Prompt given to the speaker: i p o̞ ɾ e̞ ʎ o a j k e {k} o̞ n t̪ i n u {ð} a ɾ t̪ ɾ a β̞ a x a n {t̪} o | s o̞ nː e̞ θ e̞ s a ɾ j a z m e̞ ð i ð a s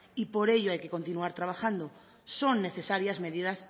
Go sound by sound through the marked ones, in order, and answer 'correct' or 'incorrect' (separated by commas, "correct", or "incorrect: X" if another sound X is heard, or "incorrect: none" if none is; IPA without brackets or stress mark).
correct, incorrect: none, incorrect: d̪